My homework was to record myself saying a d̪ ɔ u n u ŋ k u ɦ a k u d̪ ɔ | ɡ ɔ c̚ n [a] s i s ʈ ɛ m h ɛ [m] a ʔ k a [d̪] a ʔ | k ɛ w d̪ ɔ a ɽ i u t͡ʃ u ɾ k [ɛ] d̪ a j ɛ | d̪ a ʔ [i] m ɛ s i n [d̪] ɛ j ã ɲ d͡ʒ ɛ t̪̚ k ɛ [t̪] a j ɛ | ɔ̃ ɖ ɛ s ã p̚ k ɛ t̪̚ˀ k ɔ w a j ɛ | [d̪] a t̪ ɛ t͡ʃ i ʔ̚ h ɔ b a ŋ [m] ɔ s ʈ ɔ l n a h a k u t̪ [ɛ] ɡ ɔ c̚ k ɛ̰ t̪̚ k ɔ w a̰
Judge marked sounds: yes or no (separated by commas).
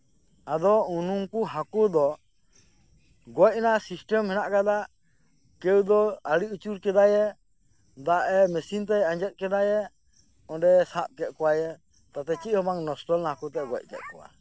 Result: yes, no, yes, yes, no, no, no, no, no, yes